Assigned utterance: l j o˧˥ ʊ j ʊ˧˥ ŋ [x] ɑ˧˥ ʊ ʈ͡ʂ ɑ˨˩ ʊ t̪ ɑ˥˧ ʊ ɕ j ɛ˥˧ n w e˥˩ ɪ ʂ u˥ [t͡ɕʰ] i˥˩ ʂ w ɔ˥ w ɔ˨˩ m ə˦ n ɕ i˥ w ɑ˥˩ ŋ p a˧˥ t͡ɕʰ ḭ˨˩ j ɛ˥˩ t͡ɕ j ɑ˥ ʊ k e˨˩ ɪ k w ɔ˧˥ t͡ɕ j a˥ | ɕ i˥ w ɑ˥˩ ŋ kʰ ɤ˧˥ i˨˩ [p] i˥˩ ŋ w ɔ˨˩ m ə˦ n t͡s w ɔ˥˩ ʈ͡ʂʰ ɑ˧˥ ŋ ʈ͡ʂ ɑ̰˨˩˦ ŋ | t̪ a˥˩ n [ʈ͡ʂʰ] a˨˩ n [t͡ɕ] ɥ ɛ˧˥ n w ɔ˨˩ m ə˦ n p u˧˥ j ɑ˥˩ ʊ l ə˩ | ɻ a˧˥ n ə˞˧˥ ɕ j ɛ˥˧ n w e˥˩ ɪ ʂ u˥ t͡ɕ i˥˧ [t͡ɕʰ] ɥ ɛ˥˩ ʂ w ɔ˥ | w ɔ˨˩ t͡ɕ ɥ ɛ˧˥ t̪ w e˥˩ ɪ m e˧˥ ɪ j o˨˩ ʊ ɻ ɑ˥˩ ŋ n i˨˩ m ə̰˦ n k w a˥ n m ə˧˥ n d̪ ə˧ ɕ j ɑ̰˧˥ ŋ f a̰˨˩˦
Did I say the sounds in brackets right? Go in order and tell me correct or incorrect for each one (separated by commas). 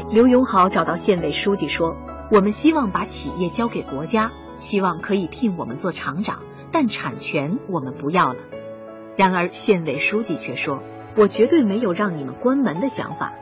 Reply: correct, incorrect, incorrect, correct, incorrect, correct